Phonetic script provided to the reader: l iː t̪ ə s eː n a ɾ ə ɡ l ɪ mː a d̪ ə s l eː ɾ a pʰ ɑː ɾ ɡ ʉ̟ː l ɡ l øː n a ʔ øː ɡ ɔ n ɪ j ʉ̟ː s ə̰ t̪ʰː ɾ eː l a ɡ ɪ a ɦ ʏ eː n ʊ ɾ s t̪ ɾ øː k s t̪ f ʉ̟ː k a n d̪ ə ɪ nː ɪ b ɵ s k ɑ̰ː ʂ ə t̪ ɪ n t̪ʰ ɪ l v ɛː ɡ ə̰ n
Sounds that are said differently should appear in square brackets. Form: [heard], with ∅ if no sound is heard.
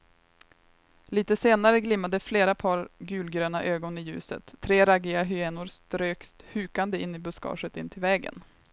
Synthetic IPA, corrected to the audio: l iː t̪ ə s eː n a ɾ ə ɡ l ɪ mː a d̪ ə [f] l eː ɾ a pʰ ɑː ɾ ɡ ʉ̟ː l ɡ [ɾ] øː n a ʔ øː ɡ ɔ n ɪ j ʉ̟ː s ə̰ t̪ʰː ɾ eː [ɾ] a ɡ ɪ a ɦ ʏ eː n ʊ ɾ s t̪ ɾ øː k s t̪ [h] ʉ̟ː k a n d̪ ə ɪ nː ɪ b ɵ s k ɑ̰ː ʂ ə t̪ ɪ n t̪ʰ ɪ l v ɛː ɡ ə̰ n